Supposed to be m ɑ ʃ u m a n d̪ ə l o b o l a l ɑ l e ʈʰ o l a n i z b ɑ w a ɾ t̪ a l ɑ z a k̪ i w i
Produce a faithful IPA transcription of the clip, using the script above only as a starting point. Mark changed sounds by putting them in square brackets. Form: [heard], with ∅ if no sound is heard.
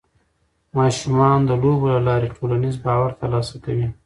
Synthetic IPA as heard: m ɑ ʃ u m [ɑ] n d̪ ə l o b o l a l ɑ [ɾ] e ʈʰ o l a n i z b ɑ w a ɾ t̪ a l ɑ [s] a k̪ [a] w i

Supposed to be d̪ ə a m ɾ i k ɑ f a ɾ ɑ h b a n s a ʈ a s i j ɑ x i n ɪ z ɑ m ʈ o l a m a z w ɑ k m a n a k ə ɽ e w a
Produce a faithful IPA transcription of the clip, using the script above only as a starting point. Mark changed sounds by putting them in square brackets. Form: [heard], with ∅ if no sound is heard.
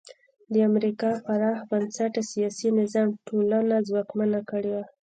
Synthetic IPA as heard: d̪ ə a m ɾ i k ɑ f a ɾ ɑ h b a n s a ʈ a s i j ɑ [s] i n ɪ z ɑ m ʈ o l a [n] a z w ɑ k m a n a k ə ɽ e w a

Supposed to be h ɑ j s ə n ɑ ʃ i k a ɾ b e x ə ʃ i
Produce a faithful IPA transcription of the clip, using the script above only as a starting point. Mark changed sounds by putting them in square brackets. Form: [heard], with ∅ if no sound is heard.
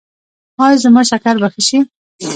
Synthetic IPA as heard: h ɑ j [z] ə [m] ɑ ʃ [a] k a ɾ b [a] x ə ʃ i

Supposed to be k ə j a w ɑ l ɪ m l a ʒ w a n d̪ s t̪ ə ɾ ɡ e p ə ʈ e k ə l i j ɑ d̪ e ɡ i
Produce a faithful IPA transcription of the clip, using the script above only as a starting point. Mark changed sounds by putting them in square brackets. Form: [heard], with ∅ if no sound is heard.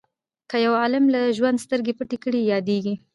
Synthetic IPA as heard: k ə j a w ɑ l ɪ m l a ʒ w a n d̪ s t̪ ə ɾ ɡ e p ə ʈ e k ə [ɽ] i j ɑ d̪ e ɡ i

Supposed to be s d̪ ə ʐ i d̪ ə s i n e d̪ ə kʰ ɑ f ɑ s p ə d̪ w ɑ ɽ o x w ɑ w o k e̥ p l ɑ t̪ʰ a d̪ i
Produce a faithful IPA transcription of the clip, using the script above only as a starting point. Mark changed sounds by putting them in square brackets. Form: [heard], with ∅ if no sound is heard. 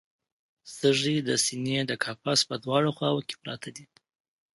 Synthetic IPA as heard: s [t̪] ə ʐ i d̪ ə s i n e d̪ ə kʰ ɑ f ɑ s p ə d̪ w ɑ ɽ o x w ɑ w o k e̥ p [ɾ] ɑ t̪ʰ a d̪ i

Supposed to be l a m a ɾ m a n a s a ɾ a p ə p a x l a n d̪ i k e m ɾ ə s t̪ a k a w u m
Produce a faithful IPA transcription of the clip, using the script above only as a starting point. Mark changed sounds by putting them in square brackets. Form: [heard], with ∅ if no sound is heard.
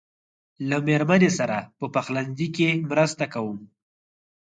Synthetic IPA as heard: l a m [e] ɾ m a n [e] s a ɾ a p ə p a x l a n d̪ i k e m ɾ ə s t̪ a k a w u m

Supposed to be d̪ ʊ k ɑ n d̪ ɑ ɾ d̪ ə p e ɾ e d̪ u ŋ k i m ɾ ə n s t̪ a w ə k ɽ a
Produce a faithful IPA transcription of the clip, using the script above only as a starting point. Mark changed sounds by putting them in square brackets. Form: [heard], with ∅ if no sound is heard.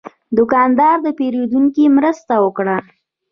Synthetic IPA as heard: d̪ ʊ k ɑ n d̪ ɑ ɾ d̪ ə p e ɾ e d̪ u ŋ k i m ɾ ə [∅] s t̪ a w ə k ɽ a

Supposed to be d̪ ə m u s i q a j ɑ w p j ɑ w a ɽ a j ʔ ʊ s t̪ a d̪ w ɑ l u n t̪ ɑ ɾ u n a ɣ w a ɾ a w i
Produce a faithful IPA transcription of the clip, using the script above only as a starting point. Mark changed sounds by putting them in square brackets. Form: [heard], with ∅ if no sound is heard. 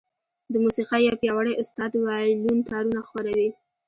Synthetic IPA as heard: d̪ ə m u s i q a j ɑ w p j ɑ w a ɽ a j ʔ ʊ s t̪ [ɑ] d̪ w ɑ l u n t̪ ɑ ɾ u n a [x] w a ɾ a w i

